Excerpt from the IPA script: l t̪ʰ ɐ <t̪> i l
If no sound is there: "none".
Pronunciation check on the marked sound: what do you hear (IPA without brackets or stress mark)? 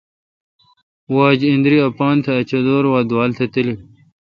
t̪